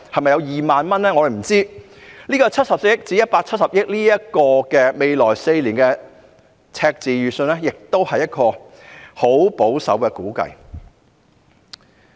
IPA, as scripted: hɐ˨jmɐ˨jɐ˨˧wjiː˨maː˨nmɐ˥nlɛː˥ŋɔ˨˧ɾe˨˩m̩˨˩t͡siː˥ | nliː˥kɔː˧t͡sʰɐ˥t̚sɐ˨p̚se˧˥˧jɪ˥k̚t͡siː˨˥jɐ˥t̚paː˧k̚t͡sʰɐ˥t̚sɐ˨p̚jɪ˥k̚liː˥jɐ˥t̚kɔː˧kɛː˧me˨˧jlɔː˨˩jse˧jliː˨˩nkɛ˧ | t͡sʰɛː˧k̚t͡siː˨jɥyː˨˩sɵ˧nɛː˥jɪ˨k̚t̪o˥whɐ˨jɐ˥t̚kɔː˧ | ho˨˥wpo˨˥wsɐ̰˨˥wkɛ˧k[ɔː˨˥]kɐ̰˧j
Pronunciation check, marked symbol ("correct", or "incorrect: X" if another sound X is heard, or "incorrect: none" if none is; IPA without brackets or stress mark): incorrect: uː˨˥